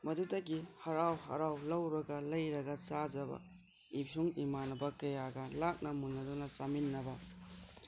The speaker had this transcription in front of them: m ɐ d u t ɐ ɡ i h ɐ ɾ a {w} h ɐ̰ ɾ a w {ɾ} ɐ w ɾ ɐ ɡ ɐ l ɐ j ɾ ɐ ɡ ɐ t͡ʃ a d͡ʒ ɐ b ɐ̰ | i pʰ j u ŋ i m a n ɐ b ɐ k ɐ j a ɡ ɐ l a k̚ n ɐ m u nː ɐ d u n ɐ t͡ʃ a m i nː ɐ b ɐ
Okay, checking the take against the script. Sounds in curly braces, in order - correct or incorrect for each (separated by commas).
correct, incorrect